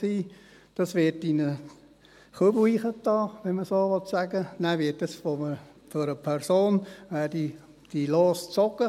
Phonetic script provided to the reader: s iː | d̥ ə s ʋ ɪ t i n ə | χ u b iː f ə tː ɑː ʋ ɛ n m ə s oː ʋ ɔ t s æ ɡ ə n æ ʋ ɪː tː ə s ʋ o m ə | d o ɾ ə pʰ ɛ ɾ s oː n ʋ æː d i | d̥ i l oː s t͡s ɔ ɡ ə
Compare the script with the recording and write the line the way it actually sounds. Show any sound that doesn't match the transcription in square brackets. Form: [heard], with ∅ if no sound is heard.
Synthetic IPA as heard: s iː | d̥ [ɑ] s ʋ ɪ t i n ə | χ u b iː [χ] ə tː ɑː ʋ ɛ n m ə s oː ʋ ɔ t s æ ɡ ə n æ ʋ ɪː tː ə s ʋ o m ə | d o ɾ ə pʰ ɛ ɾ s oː n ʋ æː d i | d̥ i l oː s t͡s ɔ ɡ ə

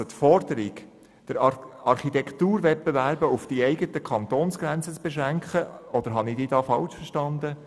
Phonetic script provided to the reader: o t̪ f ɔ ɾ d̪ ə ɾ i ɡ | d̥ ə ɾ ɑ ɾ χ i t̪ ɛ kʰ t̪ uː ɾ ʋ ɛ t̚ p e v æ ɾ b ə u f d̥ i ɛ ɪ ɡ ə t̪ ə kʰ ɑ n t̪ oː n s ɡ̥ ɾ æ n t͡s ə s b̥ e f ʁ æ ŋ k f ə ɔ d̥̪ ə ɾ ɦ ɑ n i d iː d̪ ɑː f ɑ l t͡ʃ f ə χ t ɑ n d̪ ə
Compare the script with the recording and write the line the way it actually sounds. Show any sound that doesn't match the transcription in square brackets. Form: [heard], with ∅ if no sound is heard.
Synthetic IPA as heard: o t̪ f ɔ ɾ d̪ ə ɾ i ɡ | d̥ ə ɾ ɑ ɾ χ i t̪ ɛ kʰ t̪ uː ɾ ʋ ɛ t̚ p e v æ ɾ b ə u f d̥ i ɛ ɪ ɡ ə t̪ ə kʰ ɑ n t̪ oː n s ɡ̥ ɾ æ n t͡s ə [t͡s] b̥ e [ʃ] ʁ æ ŋ k [χ] ə ɔ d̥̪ ə ɾ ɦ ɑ n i d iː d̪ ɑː f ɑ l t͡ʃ f ə [ʃ] t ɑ n d̪ ə

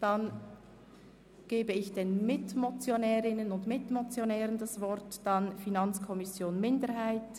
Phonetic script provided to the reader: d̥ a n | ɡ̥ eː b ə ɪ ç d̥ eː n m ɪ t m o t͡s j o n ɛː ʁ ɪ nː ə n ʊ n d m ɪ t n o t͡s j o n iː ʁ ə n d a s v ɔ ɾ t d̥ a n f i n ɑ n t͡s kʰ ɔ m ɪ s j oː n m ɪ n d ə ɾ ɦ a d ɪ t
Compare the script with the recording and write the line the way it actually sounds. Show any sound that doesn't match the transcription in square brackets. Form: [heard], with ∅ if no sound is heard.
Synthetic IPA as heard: d̥ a n | ɡ̥ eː b ə ɪ ç d̥ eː n m ɪ t m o t͡s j o n ɛː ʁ ɪ [n] ə n ʊ n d m ɪ t [m] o t͡s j o n [ɛː] ʁ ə n d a s v ɔ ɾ t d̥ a n f i n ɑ n t͡s kʰ ɔ m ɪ s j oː n m ɪ n d ə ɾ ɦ a [∅] ɪ t

